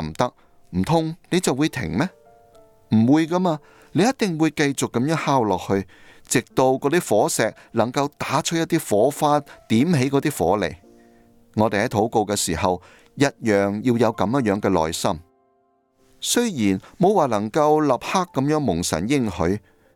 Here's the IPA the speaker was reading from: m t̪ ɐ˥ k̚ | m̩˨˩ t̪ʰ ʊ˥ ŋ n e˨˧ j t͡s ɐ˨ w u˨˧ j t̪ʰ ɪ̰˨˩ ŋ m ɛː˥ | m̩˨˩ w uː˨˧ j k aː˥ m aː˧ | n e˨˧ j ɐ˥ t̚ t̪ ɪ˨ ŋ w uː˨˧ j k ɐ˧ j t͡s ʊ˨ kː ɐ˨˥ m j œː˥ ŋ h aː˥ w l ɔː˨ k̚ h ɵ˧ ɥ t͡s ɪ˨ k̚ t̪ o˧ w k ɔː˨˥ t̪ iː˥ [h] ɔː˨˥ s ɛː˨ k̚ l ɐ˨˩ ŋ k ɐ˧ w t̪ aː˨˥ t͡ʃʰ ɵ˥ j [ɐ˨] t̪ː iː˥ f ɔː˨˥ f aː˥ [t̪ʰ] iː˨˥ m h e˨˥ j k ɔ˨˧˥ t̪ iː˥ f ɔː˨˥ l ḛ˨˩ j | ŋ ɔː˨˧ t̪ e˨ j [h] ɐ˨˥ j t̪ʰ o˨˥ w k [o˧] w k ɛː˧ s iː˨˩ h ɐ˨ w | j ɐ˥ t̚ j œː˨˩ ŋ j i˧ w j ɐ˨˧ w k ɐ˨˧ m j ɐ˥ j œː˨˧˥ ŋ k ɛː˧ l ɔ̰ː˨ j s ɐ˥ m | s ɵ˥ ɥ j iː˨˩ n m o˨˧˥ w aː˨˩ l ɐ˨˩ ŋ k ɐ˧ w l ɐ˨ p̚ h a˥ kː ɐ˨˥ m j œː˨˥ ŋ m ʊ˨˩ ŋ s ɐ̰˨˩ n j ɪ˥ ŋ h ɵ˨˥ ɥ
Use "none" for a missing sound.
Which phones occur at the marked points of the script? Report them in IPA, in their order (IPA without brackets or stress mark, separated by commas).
f, ɐ˥, t̪, h, o˧